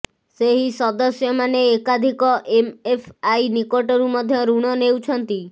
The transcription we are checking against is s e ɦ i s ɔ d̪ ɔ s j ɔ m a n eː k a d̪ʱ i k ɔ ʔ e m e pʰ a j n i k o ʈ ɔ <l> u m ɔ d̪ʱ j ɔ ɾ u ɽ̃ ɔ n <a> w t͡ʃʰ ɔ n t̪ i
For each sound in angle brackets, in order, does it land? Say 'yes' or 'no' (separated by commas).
no, no